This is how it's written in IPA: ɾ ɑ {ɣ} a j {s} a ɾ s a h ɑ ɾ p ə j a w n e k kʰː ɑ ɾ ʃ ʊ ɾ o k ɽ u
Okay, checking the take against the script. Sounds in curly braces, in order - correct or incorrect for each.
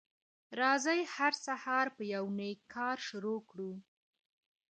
incorrect, incorrect

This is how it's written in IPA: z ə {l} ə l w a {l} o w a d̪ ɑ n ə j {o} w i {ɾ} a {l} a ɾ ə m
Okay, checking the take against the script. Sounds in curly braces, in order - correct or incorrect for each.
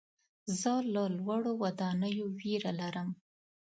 correct, incorrect, correct, correct, correct

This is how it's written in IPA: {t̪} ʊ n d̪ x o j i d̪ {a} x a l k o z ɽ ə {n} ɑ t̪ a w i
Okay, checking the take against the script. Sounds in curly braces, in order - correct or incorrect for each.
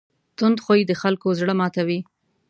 correct, incorrect, incorrect

